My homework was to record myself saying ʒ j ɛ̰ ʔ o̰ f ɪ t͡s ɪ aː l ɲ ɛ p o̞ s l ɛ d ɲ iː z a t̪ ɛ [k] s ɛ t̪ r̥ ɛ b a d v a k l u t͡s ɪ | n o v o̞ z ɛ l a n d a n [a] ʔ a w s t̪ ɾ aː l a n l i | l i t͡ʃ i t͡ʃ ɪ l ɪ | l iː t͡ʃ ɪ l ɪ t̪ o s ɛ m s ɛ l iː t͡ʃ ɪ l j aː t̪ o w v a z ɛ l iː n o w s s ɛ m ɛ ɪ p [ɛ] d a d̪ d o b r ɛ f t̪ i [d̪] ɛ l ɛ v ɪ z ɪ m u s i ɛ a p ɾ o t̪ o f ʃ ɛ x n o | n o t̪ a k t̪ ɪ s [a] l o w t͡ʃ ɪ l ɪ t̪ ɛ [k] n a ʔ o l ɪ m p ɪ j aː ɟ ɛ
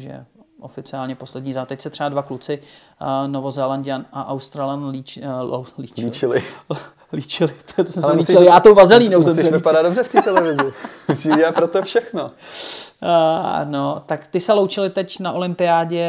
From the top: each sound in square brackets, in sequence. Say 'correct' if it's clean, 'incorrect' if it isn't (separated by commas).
incorrect, correct, incorrect, incorrect, incorrect, incorrect